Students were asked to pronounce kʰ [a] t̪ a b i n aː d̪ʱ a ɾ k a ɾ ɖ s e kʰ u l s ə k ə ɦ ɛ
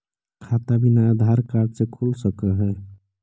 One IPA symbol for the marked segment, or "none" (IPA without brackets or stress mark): a